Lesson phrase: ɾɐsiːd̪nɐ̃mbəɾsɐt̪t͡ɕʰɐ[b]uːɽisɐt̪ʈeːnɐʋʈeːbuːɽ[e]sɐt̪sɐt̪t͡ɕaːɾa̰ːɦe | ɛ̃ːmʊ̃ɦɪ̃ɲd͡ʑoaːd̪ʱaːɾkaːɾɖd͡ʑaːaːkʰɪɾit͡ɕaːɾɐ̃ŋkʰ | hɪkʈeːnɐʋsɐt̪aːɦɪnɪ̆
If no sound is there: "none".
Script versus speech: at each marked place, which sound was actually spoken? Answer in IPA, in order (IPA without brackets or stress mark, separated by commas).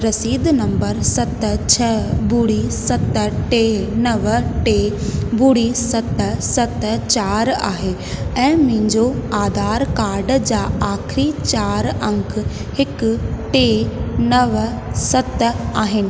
b, i